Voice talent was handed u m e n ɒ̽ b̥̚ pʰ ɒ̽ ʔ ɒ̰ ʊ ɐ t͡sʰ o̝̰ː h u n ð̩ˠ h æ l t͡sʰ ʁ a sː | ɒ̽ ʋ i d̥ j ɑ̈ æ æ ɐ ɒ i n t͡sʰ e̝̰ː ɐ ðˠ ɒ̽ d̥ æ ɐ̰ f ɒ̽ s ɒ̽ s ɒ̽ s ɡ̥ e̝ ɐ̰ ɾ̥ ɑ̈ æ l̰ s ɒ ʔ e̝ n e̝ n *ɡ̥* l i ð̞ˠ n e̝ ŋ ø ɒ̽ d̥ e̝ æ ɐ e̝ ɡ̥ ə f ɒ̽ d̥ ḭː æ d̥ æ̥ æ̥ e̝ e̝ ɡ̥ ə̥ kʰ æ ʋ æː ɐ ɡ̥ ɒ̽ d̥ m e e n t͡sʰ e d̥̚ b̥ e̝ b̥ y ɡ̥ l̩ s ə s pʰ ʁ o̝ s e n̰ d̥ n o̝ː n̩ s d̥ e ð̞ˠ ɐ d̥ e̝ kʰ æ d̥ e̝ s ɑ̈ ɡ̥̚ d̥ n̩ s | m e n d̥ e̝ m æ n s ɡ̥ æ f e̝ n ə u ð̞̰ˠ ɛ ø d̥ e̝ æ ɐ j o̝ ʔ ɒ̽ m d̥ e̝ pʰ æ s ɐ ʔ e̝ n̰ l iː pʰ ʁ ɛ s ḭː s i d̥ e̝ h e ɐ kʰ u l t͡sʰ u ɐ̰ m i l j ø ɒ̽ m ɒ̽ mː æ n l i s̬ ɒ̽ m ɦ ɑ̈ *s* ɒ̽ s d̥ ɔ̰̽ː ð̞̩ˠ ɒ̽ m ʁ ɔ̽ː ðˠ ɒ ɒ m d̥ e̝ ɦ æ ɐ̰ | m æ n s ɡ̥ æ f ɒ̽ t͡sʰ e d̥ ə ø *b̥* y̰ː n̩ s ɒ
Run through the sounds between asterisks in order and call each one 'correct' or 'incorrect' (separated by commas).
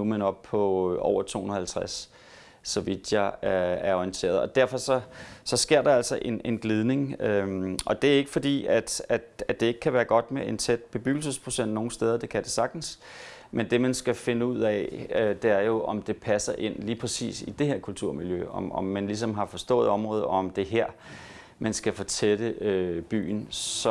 correct, incorrect, correct